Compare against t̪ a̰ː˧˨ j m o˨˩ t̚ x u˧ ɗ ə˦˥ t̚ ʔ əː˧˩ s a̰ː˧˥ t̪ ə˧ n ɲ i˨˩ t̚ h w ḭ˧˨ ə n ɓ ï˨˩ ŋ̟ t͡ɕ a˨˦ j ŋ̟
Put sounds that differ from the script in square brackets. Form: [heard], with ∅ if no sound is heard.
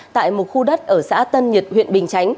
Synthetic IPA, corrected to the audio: t̪ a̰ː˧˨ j m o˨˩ t̚ x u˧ ɗ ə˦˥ t̚ ʔ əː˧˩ s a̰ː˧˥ t̪ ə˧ n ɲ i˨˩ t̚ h w ḭ˧˨ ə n ɓ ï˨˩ ŋ̟ t͡ɕ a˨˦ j ŋ̟